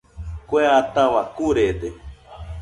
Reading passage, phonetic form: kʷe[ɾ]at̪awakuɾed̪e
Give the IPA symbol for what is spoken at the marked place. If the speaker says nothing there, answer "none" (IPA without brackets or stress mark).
none